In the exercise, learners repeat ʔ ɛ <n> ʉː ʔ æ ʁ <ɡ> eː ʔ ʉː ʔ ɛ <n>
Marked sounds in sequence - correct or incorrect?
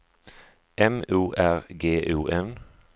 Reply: incorrect, correct, correct

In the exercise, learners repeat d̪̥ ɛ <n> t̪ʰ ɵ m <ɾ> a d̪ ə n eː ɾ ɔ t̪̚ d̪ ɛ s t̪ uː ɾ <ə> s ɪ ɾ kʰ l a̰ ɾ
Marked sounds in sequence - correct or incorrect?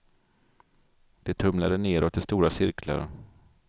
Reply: incorrect, incorrect, incorrect

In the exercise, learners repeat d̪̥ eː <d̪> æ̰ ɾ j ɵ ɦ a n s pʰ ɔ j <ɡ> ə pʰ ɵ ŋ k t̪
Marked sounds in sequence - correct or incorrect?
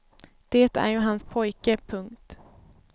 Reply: incorrect, incorrect

